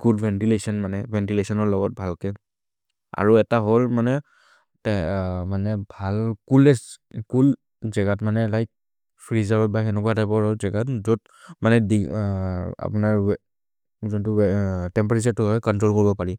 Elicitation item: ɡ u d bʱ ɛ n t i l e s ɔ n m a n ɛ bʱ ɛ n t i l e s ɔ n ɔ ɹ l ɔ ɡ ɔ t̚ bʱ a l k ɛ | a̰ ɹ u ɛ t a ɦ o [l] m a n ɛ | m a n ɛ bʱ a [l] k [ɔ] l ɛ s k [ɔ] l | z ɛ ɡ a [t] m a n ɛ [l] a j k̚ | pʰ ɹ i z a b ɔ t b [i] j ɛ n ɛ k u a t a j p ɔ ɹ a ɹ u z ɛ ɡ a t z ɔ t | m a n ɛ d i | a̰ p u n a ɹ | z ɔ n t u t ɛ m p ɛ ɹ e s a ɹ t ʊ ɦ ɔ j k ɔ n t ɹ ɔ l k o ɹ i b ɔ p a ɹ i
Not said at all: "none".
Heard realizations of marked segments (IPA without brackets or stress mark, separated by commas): l, l, u, u, t, l, a